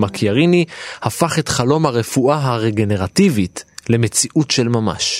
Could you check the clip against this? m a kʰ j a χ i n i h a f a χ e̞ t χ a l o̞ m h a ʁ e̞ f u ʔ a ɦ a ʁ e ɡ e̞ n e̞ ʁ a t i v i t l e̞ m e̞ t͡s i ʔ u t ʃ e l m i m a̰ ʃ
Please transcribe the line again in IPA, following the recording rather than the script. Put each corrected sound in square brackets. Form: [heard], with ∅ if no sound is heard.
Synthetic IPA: m a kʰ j a [ʁ] i n i h a f a χ e̞ t χ a l o̞ m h a ʁ e̞ f u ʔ a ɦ a ʁ e ɡ e̞ n e̞ ʁ a t i v i t l e̞ m e̞ t͡s i ʔ u t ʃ e l m [a] m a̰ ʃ